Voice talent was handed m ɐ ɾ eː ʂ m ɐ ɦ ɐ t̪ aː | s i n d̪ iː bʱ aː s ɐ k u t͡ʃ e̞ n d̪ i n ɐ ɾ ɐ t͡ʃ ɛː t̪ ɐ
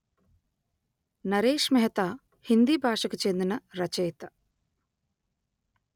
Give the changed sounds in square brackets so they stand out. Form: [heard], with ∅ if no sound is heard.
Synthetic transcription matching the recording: [n] ɐ ɾ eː ʂ m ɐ ɦ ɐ t̪ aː | [h] i n d̪ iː bʱ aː [ʂ] ɐ k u t͡ʃ e̞ n d̪ i n ɐ ɾ ɐ t͡ʃ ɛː t̪ ɐ